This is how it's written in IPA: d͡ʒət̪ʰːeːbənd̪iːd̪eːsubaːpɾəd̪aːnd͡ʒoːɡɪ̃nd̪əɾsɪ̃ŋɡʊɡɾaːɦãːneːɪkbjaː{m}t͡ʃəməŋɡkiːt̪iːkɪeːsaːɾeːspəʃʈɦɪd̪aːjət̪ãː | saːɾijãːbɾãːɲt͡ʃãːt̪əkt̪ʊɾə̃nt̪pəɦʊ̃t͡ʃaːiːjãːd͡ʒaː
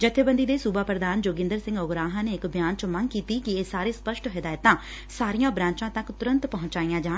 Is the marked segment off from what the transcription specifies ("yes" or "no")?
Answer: yes